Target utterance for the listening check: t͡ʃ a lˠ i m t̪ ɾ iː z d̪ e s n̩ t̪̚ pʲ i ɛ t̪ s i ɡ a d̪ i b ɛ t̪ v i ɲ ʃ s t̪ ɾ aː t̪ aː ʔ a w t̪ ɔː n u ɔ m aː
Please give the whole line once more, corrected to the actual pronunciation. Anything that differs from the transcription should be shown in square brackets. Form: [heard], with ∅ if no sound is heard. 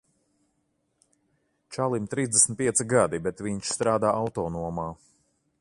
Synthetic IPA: t͡ʃ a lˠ i m t̪ ɾ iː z d̪ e s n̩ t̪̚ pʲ i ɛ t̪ s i ɡ a d̪ i b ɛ t̪ v i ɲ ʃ s t̪ ɾ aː [d̪] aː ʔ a w t̪ ɔː n u ɔ m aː